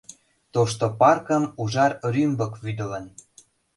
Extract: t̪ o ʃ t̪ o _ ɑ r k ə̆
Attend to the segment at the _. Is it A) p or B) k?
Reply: A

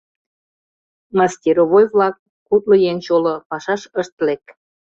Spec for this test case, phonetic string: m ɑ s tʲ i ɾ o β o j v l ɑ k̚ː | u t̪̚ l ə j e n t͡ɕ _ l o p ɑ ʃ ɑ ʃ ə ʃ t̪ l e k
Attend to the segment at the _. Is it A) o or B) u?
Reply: A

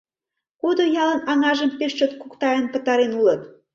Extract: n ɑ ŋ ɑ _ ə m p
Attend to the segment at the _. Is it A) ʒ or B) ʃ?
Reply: A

